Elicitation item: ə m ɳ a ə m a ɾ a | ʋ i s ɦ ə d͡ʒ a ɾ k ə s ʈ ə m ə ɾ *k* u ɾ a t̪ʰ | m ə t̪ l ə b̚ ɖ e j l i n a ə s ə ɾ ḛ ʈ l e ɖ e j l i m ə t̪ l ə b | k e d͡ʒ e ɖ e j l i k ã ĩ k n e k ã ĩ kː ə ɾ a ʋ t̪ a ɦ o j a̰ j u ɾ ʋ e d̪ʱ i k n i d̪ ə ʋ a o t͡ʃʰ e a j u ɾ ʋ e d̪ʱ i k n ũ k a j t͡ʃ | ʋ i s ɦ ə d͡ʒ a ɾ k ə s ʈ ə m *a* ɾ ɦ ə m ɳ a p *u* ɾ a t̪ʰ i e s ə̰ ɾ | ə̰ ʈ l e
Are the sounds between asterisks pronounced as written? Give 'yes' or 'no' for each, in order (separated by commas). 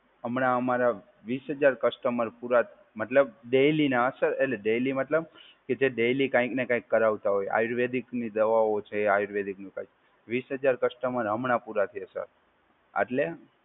no, no, yes